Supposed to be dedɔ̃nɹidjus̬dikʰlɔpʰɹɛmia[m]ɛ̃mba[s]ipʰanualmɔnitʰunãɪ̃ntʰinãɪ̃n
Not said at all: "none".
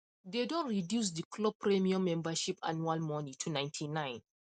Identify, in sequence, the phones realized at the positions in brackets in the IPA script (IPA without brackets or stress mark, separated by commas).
m, ʃ